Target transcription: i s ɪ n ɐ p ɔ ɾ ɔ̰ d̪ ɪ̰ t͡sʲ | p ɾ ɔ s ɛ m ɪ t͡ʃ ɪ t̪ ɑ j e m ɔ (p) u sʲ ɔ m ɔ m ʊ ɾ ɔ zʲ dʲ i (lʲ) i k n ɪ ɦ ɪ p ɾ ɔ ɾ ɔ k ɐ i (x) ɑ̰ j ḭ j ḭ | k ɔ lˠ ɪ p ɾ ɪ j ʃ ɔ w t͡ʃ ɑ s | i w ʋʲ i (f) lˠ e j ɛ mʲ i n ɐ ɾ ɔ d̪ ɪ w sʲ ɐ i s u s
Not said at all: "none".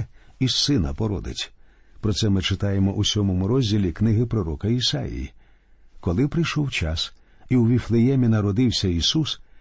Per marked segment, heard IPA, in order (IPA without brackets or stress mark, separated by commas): ʔ, lʲ, s, f